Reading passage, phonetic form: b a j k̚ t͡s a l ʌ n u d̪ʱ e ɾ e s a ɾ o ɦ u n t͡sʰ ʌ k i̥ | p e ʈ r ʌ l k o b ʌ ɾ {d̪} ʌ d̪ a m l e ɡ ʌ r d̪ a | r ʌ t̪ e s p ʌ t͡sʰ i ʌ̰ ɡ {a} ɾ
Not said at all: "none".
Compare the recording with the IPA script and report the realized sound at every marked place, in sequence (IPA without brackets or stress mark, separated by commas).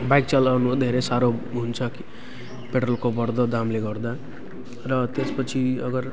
d̪, ʌ